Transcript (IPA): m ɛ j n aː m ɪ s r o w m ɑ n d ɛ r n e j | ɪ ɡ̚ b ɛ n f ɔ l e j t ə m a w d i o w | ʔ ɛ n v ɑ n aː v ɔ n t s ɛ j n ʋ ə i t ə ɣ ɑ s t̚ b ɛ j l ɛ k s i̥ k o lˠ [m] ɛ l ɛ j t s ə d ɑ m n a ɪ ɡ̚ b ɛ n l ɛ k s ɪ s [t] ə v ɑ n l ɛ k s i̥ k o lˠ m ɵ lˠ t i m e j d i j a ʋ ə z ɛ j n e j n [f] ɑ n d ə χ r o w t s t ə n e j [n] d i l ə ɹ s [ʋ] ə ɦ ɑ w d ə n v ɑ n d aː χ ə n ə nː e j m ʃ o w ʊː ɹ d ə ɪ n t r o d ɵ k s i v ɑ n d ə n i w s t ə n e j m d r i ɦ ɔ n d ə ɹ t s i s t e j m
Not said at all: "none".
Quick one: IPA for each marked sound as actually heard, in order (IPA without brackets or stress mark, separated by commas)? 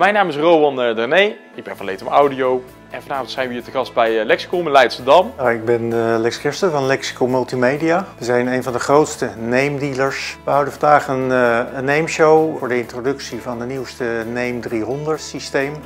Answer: m, t, v, m, ʋ